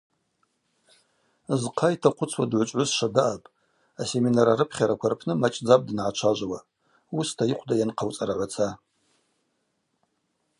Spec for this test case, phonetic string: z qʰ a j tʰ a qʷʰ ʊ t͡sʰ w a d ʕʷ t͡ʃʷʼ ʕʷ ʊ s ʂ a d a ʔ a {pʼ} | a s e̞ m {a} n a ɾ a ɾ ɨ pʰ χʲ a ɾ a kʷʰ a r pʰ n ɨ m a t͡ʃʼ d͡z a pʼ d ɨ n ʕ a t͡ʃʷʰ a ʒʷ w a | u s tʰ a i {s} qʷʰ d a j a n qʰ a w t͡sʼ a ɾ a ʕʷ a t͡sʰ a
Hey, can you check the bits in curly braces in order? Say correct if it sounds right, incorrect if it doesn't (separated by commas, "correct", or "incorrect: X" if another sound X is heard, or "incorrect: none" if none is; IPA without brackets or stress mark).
correct, incorrect: i, incorrect: none